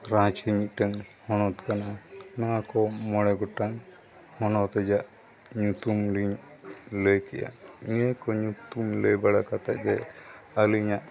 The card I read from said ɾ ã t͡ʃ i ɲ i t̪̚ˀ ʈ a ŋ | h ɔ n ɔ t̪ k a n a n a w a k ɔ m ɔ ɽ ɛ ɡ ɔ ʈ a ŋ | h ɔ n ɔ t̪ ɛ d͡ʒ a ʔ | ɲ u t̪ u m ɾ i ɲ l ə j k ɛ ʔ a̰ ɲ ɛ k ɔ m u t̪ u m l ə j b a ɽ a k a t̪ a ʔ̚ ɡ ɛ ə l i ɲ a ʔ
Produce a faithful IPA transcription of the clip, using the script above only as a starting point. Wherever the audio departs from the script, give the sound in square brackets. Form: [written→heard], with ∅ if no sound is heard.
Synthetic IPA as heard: ɾ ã t͡ʃ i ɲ i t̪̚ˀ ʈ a ŋ | h ɔ n ɔ t̪ k a n a n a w a k ɔ m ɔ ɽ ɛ ɡ ɔ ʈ a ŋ | h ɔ n ɔ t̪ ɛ d͡ʒ a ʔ | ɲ u t̪ u m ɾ i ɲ l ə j k ɛ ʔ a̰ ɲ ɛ k ɔ [m→ɲ] u t̪ u m l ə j b a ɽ a k a t̪ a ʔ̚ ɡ ɛ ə l i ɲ a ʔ